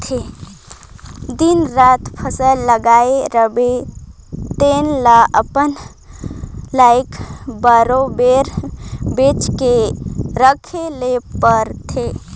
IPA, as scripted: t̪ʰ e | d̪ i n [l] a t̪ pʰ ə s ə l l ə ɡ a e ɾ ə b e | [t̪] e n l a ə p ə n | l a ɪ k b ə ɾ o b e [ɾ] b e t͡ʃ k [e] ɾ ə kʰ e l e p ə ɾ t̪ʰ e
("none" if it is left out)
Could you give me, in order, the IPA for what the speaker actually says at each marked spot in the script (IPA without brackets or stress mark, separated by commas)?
ɾ, t̪, ɾ, e